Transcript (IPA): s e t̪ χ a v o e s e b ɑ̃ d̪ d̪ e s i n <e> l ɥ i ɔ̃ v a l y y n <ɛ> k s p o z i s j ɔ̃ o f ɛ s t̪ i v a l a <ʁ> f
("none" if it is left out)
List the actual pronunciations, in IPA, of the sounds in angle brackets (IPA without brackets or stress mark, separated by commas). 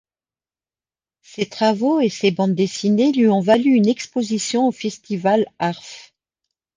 e, ɛ, ʁ